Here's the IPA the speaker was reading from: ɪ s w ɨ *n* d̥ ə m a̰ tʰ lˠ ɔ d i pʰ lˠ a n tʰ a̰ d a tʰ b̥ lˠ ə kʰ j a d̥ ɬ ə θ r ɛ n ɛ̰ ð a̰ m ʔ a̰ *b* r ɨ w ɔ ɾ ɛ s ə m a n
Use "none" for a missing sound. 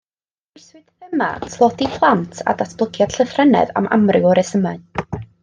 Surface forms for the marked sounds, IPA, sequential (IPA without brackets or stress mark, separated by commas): none, m